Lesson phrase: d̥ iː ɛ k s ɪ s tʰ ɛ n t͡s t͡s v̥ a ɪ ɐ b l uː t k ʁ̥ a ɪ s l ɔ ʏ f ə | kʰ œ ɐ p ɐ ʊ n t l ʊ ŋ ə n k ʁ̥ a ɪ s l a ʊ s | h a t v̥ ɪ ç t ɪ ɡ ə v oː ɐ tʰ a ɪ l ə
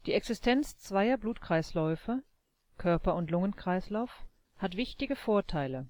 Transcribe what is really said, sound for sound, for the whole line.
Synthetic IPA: d̥ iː ɛ k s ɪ s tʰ ɛ n t͡s t͡s v̥ a ɪ ɐ b l uː t k ʁ̥ a ɪ s l ɔ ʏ f ə | kʰ œ ɐ p ɐ ʊ n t l ʊ ŋ ə n k ʁ̥ a ɪ s l a ʊ f | h a t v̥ ɪ ç t ɪ ɡ ə f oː ɐ tʰ a ɪ l ə